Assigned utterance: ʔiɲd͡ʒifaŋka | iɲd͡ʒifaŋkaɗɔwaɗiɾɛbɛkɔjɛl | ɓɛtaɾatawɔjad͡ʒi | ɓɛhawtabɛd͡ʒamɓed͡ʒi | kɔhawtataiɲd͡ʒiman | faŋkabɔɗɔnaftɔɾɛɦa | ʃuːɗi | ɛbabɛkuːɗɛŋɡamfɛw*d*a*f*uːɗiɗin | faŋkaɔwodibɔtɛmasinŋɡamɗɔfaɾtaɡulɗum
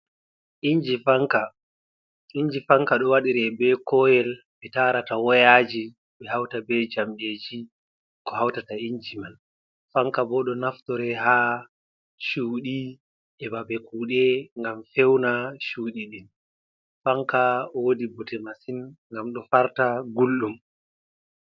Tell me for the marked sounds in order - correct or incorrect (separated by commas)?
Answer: incorrect, incorrect